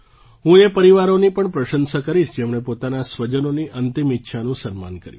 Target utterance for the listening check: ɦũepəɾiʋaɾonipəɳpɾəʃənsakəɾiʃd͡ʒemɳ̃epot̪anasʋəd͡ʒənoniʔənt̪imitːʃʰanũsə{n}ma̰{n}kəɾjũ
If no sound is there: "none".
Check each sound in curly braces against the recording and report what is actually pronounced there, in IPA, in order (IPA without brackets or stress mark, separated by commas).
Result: n, n